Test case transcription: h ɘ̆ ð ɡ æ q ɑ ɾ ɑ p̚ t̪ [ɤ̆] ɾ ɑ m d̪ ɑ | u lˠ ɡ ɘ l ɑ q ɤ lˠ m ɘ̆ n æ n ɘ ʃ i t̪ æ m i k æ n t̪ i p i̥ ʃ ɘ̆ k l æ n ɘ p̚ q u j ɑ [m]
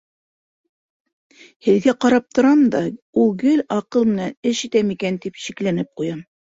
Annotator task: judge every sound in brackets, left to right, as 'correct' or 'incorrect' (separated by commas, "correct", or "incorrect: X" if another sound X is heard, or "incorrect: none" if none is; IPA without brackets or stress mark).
incorrect: ŏ, correct